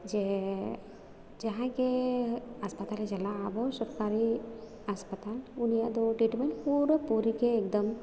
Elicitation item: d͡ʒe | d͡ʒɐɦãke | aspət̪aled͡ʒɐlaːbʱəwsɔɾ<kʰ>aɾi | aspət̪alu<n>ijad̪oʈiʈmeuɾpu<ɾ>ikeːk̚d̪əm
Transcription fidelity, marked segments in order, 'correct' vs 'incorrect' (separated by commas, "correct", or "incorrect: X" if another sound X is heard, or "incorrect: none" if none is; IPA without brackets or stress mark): incorrect: k, correct, correct